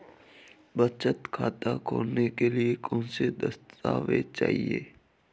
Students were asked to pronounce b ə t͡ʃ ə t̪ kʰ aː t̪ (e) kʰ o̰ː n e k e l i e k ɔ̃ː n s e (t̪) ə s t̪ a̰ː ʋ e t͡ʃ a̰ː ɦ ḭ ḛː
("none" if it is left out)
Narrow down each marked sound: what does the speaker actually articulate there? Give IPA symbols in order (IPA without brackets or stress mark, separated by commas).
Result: a, d̪